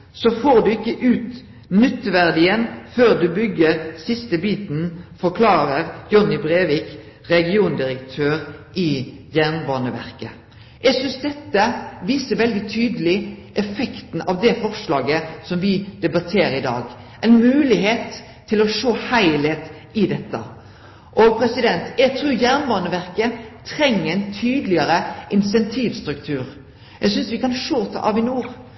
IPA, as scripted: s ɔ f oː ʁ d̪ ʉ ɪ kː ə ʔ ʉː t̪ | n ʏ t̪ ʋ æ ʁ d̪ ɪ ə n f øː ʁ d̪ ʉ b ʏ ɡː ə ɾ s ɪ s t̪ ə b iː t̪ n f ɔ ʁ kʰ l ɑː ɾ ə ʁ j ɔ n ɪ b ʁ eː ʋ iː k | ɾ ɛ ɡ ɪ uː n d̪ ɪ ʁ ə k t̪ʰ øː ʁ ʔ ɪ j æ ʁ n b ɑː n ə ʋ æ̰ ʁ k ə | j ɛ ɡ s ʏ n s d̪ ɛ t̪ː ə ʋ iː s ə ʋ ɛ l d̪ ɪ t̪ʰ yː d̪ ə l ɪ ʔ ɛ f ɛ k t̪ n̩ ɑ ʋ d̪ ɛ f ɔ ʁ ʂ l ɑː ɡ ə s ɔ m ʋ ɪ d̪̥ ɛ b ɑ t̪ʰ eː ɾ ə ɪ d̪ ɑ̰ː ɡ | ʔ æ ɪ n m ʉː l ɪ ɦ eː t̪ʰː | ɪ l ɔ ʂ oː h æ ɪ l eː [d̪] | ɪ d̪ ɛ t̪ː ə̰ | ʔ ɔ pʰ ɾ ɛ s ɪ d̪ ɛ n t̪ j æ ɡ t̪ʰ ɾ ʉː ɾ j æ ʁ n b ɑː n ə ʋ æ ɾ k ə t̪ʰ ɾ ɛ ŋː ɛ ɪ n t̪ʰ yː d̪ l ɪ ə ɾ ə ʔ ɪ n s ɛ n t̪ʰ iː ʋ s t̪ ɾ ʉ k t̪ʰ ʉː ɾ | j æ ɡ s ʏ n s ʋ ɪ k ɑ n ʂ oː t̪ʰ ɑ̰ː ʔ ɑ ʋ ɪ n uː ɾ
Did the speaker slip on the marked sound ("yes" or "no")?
yes